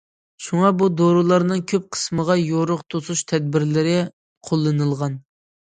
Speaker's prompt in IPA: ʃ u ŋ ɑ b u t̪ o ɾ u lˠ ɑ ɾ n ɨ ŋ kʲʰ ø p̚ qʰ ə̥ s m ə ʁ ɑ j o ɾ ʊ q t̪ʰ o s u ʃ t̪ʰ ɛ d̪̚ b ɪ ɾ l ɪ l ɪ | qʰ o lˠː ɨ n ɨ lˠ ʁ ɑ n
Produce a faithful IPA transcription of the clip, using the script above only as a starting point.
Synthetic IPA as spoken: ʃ u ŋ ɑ b u d̪ o ɾ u lˠ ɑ ɾ n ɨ ŋ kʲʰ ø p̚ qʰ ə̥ s m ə ʁ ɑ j o ɾ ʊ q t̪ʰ o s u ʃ t̪ʰ ɛ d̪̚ b ɪ ɾ l ɪ ɾ ɪ | qʰ o lˠː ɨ n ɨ lˠ ʁ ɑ n